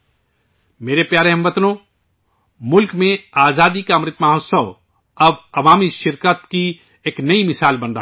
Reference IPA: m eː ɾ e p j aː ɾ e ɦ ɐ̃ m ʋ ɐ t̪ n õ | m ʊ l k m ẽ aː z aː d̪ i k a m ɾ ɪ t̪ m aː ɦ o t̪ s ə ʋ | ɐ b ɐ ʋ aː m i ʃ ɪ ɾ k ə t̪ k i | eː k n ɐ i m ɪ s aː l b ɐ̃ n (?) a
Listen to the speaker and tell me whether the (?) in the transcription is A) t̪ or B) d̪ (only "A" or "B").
B